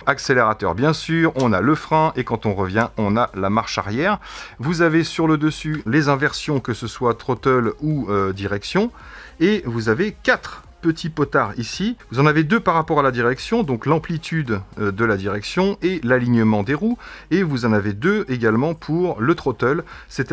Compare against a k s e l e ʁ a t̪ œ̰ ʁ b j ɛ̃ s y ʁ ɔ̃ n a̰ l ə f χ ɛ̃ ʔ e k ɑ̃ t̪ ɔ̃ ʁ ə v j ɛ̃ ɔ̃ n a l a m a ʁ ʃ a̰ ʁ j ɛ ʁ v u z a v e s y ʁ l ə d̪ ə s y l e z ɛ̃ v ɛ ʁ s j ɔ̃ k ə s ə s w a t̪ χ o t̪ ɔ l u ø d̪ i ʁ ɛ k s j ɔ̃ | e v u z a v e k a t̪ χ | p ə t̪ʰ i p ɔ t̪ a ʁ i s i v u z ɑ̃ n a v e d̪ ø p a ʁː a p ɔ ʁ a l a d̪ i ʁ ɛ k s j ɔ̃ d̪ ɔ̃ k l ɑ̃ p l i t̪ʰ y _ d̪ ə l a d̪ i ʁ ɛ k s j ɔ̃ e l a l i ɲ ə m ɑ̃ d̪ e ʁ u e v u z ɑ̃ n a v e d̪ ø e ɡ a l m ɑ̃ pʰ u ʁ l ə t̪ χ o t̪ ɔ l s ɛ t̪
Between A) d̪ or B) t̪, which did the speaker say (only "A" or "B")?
A